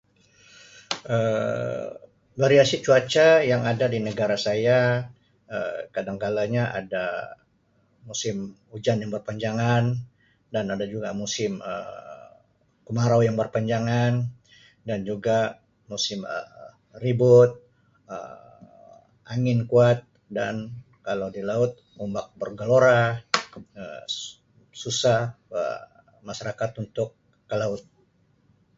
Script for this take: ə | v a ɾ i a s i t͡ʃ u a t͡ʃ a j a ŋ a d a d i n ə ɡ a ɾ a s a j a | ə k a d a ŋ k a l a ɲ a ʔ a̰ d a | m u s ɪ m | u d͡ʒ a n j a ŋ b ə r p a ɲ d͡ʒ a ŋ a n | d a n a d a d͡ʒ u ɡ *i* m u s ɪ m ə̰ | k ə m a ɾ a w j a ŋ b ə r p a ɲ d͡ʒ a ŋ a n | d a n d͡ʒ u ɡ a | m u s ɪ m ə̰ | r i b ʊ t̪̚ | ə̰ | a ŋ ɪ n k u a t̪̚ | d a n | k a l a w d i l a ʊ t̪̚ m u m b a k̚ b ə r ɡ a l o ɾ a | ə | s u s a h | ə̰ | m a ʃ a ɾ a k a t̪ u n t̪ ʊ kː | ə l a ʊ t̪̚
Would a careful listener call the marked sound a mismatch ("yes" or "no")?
yes